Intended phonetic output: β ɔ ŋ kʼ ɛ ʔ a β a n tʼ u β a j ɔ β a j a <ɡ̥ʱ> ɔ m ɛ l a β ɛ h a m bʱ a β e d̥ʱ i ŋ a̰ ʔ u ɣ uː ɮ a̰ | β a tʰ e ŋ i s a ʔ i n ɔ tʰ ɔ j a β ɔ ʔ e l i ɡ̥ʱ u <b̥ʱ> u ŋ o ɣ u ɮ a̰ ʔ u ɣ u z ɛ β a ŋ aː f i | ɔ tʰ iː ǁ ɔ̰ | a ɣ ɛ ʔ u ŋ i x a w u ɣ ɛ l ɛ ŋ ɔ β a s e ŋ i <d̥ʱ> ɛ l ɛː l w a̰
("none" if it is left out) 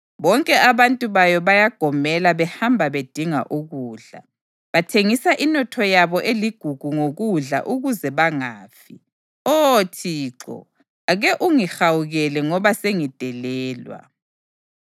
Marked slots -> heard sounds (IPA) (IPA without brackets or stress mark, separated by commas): ɡ̥ʱ, ɡ̥ʱ, d̥ʱ